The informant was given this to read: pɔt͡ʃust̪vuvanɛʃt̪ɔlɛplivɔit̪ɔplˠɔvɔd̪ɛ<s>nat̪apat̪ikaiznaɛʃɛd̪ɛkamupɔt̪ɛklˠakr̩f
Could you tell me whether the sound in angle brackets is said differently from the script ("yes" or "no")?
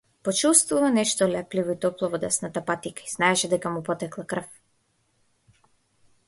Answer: no